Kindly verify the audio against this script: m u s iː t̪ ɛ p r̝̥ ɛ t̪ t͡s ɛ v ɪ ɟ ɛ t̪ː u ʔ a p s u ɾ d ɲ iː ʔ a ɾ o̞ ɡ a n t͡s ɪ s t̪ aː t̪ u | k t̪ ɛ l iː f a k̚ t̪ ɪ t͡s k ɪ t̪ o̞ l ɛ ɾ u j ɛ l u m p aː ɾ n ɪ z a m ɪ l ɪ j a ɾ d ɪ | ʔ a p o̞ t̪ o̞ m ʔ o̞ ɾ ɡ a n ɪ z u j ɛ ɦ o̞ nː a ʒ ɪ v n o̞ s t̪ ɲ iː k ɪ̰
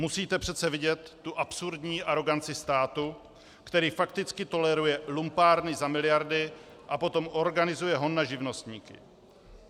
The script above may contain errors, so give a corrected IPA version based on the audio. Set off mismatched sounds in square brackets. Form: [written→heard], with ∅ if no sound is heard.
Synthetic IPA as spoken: m u s iː t̪ ɛ p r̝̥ ɛ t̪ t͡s ɛ v ɪ ɟ ɛ t̪ː u ʔ a p s u ɾ d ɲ iː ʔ a ɾ o̞ ɡ a n t͡s ɪ s t̪ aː t̪ u | k t̪ ɛ [l→ɾ] iː f a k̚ t̪ ɪ t͡s k ɪ t̪ o̞ l ɛ ɾ u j ɛ l u m p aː ɾ n ɪ z a m ɪ l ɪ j a ɾ d ɪ | ʔ a p o̞ t̪ o̞ m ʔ o̞ ɾ ɡ a n ɪ z u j ɛ ɦ o̞ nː a ʒ ɪ v n o̞ s t̪ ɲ iː k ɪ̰